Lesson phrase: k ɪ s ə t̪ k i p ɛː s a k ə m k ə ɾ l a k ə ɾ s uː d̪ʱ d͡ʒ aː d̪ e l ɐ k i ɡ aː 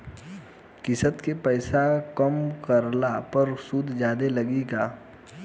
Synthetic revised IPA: k ɪ s ə t̪ k e p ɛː s a k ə m k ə ɾ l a p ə ɾ s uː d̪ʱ d͡ʒ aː d̪ e l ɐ ɡ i ɡ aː